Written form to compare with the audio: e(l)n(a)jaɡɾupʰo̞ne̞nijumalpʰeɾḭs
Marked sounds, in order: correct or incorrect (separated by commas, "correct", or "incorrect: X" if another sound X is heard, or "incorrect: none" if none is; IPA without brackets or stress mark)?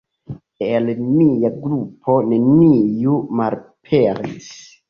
correct, incorrect: i